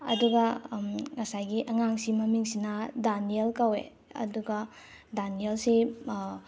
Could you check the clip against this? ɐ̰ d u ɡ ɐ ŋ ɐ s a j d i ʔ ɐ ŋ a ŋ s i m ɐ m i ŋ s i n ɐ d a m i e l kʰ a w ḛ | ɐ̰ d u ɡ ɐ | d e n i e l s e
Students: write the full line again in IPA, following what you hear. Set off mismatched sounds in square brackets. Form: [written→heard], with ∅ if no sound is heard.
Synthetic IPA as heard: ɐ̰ d u ɡ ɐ ŋ ɐ s a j [d→ɡ] i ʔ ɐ ŋ a ŋ s i m ɐ m i ŋ s i n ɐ d a [m→n] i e l [kʰ→k] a w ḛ | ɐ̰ d u ɡ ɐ | d [e→a] n i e l s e